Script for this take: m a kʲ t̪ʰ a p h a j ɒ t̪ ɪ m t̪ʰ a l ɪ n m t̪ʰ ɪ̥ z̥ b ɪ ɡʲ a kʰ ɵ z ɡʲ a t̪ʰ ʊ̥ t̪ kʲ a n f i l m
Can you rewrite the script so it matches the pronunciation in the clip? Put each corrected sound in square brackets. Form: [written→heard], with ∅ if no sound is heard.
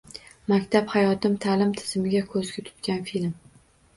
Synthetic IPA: m a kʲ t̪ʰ a p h a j ɒ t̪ ɪ m t̪ʰ a l ɪ [n→∅] m t̪ʰ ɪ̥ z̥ [b→m] ɪ ɡʲ a kʰ ɵ z ɡʲ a t̪ʰ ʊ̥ t̪ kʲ a n f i l m